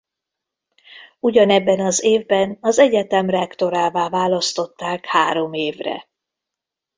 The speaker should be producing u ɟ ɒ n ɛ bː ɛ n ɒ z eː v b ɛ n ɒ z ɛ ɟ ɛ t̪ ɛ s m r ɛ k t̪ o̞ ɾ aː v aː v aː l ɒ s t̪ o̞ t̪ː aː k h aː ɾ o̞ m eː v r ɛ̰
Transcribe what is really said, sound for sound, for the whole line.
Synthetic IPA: u ɟ ɒ n ɛ bː ɛ n ɒ z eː v b ɛ n ɒ z ɛ ɟ ɛ t̪ ɛ m r ɛ k t̪ o̞ ɾ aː v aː v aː l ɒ s t̪ o̞ t̪ː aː k h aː ɾ o̞ m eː v r ɛ̰